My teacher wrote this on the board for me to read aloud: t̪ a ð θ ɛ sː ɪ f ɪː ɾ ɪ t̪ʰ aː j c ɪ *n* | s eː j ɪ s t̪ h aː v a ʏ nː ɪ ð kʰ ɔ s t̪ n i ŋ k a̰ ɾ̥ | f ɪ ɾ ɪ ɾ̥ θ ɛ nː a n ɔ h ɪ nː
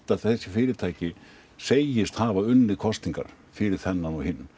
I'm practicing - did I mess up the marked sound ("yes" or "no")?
yes